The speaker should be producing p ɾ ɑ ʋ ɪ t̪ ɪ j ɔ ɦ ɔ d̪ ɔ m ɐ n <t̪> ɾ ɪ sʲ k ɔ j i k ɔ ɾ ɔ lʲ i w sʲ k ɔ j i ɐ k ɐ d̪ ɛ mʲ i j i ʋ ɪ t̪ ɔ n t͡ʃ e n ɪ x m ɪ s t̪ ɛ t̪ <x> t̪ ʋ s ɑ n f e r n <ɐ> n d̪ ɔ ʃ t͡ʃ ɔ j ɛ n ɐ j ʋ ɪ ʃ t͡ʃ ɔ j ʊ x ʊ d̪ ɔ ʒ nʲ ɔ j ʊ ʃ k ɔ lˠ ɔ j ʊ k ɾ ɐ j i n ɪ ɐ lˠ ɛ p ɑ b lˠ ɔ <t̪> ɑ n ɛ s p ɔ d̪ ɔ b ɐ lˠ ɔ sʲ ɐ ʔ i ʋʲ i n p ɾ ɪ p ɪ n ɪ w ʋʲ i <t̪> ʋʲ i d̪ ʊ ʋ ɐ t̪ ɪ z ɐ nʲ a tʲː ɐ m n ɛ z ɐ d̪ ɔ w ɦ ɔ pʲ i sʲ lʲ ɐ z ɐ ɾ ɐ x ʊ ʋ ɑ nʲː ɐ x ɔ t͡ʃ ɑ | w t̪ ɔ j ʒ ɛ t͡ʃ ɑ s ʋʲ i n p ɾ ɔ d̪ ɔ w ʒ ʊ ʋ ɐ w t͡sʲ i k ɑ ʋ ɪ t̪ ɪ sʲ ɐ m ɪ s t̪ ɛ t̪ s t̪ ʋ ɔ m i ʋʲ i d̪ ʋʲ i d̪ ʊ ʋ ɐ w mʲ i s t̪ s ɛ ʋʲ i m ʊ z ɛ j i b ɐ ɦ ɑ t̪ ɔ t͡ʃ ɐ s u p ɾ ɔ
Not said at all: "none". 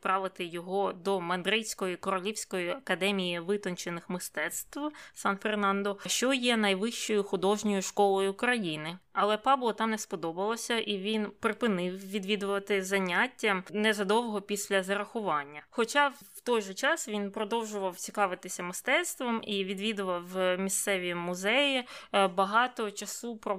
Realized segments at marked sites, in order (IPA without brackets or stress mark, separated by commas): d̪, s, ɑ, t̪, d̪